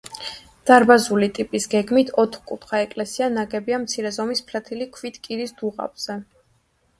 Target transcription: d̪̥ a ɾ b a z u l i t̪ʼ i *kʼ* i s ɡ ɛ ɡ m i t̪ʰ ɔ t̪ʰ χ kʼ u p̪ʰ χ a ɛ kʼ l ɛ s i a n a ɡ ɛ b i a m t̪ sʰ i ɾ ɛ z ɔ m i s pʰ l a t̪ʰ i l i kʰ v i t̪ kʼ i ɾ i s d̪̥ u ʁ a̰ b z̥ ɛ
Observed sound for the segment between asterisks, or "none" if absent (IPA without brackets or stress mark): pʼ